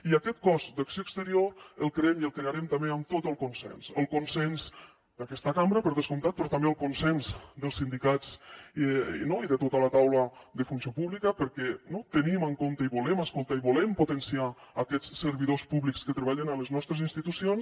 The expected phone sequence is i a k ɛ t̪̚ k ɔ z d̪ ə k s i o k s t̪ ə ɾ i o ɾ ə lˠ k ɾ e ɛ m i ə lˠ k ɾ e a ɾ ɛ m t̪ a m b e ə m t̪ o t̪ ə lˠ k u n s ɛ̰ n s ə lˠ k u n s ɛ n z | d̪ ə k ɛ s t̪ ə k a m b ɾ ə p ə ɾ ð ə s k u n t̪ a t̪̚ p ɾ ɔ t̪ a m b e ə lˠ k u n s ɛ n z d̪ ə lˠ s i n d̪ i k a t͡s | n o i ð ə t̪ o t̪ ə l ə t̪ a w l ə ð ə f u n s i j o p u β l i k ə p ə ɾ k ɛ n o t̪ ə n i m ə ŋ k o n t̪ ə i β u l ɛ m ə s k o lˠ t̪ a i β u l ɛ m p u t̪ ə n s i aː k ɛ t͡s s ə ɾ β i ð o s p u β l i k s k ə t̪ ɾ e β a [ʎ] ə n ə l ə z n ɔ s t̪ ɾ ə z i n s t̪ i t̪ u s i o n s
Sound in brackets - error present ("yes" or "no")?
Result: no